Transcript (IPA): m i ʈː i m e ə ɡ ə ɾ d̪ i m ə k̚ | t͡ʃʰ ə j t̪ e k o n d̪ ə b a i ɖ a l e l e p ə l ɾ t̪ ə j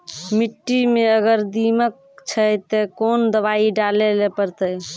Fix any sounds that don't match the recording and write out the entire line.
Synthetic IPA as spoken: m i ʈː i m e ə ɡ ə ɾ d̪ i m ə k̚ | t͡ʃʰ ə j t̪ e k o n d̪ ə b a i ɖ a l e l e p ə ɾ t̪ ə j

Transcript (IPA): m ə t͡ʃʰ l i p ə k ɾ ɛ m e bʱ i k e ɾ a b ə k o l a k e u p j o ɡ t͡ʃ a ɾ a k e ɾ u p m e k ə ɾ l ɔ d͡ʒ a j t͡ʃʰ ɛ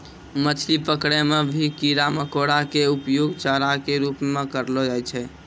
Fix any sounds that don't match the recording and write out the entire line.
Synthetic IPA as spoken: m ə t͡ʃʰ l i p ə k ɽ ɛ m e bʱ i k i ɾ a m ə k o ɽ a k e u p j o ɡ t͡ʃ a ɾ a k e ɾ u p m e k ə ɾ l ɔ d͡ʒ a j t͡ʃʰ ɛ

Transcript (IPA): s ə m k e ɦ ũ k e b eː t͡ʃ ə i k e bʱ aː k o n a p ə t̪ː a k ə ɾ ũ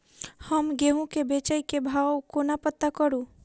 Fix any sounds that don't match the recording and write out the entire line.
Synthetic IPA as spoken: h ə m ɡ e ɦ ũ k e b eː t͡ʃ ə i k e bʱ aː k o n a p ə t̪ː a k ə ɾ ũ

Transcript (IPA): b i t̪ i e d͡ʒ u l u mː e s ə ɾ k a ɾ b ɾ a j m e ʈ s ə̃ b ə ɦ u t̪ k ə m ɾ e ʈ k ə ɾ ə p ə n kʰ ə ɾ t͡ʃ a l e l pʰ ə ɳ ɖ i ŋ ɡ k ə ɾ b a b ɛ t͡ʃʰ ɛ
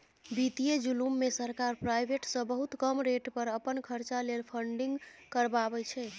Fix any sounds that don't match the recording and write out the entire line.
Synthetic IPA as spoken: b i t̪ i e d͡ʒ u l u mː e s ə ɾ k a ɾ p ɾ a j b e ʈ s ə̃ b ə ɦ u t̪ k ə m ɾ e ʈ p ə ɾ ə p ə n kʰ ə ɾ t͡ʃ a l e l pʰ ə ɳ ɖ i ŋ ɡ k ə ɾ b a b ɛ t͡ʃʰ ɛ

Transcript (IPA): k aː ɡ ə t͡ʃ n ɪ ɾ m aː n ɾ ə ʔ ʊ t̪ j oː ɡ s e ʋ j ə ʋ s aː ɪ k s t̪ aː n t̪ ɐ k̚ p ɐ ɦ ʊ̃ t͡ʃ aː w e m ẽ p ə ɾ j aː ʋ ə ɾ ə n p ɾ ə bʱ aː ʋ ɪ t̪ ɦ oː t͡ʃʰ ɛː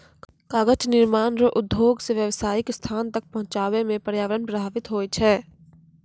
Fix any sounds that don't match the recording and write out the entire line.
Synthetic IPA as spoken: k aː ɡ ə t͡ʃ n ɪ ɾ m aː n ɾ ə ʔ ʊ d̪ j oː ɡ s e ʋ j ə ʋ s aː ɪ k s t̪ʰ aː n t̪ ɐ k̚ p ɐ ɦ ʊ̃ t͡ʃ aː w e m ẽ p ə ɾ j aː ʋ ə ɾ ə n p ɾ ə bʱ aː ʋ ɪ t̪ ɦ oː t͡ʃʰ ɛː

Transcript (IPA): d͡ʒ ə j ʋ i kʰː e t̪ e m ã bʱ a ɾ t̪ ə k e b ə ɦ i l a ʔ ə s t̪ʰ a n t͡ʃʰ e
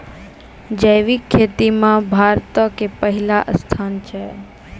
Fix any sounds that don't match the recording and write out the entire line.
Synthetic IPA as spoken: d͡ʒ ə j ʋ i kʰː e t̪ i m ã bʱ a ɾ t̪ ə k e p ə ɦ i l a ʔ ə s t̪ʰ a n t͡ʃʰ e

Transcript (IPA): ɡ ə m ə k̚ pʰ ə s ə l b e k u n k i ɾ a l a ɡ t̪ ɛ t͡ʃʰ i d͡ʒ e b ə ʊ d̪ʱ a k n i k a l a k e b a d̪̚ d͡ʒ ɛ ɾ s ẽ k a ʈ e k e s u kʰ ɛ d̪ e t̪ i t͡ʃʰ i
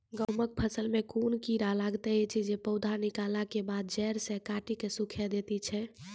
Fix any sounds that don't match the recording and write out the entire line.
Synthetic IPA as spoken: ɡ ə m ə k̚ pʰ ə s ə l m e k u n k i ɾ a l a ɡ t̪ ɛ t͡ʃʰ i d͡ʒ e p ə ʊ d̪ʱ a n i k a l a k e b a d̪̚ d͡ʒ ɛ ɾ s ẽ k a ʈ i k e s u kʰ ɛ d̪ e t̪ i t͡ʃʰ ɛ

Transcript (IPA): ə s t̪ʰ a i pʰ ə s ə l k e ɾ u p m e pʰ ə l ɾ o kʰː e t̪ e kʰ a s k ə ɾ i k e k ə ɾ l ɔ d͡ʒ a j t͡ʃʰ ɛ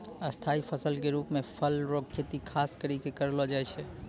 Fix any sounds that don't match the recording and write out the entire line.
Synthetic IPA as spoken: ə s t̪ʰ a i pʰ ə s ə l k e ɾ u p m e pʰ ə l ɾ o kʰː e t̪ i kʰ a s k ə ɾ i k e k ə ɾ l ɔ d͡ʒ a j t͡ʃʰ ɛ

